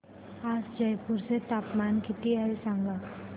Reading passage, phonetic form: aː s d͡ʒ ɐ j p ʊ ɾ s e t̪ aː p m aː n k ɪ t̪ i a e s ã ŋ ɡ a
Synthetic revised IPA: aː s d͡ʒ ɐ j p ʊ ɾ s e t̪ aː p m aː n k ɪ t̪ i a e s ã ŋ ɡ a